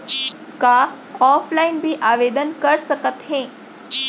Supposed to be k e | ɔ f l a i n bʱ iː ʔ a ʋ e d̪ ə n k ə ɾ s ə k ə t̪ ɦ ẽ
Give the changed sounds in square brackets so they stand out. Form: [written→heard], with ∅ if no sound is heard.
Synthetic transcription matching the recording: k [e→a] | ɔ f l a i n bʱ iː ʔ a ʋ e d̪ ə n k ə ɾ s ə k ə t̪ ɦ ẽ